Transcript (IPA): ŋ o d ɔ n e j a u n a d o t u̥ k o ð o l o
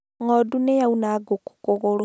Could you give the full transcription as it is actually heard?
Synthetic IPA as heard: ŋ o d u n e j a u n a ɡ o k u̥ k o ɣ o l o